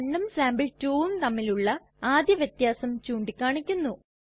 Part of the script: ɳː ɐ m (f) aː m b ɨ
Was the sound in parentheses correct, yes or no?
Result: no